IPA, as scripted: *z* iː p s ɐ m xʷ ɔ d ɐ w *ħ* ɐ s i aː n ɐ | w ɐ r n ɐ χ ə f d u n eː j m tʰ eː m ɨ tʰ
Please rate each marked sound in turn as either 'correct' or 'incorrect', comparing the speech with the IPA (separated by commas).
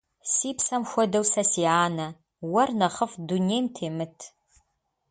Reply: incorrect, incorrect